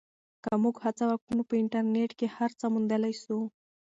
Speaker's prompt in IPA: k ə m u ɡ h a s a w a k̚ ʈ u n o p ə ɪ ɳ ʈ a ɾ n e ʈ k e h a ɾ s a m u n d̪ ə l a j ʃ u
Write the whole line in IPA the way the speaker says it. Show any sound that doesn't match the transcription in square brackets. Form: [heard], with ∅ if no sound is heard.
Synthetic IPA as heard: k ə m u ɡ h a [t͡s] a w a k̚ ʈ u n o p ə ɪ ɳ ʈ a ɾ n e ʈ k e h a ɾ [t͡s] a m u n d̪ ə l a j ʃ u